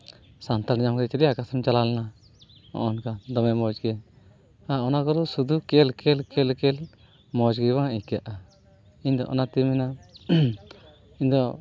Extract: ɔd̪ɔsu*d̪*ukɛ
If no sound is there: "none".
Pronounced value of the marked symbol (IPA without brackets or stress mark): d̪